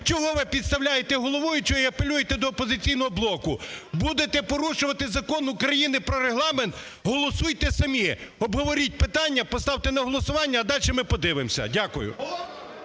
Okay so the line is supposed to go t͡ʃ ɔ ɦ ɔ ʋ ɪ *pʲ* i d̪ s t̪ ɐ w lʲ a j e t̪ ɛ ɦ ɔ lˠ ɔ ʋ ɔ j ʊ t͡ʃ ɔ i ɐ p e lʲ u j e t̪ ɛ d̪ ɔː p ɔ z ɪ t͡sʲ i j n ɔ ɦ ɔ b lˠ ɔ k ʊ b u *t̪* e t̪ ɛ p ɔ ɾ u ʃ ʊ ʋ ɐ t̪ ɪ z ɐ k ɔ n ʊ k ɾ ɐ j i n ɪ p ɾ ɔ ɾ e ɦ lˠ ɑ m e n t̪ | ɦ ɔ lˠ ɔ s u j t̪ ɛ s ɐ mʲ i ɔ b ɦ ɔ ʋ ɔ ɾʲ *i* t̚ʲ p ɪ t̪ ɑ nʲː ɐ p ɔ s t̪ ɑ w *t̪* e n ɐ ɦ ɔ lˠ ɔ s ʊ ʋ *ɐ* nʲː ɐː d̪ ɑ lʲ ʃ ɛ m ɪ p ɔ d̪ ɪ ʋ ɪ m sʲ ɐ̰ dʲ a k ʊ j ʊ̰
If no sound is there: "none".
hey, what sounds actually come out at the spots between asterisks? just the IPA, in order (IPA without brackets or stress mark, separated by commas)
pʲ, d̪, i, t̪, ɑ